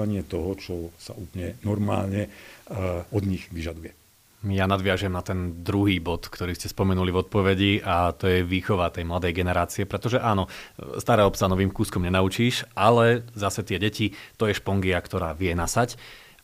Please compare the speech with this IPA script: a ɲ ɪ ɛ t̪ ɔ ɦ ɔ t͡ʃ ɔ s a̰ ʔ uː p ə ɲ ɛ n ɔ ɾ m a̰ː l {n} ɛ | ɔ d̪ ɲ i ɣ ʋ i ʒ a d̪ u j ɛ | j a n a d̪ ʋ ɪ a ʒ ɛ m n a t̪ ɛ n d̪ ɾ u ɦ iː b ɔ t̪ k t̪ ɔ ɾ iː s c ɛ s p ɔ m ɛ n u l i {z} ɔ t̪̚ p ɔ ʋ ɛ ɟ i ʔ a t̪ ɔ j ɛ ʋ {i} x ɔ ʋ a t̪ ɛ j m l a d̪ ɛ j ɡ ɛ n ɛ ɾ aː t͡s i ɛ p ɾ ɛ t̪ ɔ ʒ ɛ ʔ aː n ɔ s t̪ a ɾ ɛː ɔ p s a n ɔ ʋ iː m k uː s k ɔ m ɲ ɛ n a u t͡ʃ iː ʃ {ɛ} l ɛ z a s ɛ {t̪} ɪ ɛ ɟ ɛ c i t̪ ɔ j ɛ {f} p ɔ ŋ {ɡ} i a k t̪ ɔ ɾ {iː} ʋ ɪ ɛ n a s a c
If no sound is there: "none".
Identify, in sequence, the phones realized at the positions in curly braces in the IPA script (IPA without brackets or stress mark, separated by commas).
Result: ɲ, v, iː, a, t̪, ʃ, ɡ, aː